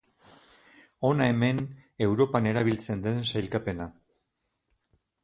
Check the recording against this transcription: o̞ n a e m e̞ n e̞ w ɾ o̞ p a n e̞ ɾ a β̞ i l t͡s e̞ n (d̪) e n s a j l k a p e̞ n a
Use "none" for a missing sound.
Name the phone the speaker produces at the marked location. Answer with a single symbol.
d̪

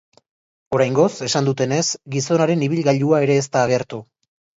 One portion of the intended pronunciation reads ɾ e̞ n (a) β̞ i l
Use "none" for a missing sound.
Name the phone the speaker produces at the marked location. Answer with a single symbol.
i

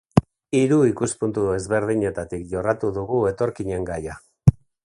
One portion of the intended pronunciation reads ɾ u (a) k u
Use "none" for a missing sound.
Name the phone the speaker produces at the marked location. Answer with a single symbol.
i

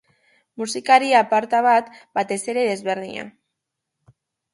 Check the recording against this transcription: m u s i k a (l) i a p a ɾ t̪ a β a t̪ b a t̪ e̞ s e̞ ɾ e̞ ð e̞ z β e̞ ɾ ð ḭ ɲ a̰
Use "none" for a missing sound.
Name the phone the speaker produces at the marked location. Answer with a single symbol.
ɾ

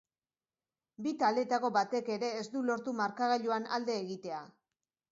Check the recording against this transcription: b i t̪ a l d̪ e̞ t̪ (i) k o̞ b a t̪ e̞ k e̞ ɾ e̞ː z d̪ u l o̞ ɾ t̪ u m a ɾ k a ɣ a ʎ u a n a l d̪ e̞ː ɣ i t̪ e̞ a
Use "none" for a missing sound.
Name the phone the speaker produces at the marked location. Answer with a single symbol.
a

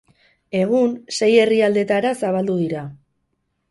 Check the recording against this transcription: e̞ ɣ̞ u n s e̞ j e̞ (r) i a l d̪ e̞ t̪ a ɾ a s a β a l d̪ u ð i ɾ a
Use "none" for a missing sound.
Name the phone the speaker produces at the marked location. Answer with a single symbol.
r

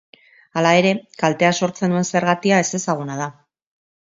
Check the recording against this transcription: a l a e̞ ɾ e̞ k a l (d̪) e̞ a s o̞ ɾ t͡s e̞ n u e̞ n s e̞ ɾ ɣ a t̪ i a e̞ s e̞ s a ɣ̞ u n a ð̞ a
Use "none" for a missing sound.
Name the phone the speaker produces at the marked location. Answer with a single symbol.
t̪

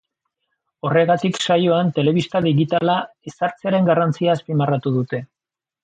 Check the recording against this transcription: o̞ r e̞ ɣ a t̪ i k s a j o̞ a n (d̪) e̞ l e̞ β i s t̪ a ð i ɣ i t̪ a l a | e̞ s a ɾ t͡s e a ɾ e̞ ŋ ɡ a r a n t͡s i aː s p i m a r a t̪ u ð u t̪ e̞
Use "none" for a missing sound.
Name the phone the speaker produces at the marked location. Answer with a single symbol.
t̪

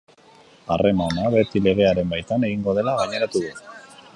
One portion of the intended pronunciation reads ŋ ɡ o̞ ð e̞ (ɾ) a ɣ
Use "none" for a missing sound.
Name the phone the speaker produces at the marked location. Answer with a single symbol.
l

